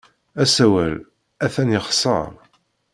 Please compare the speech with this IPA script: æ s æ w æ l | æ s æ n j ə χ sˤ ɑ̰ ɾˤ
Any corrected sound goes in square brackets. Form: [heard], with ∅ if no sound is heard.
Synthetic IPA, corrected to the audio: æ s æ w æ l | æ [θ] æ n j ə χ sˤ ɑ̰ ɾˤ